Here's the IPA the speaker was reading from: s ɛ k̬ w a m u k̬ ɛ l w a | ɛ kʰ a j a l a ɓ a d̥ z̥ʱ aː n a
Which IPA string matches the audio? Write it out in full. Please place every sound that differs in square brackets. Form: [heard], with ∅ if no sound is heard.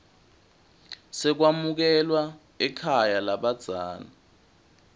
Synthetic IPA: s ɛ k̬ w a m u k̬ ɛ l w a | ɛ kʰ a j a l a ɓ a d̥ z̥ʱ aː n a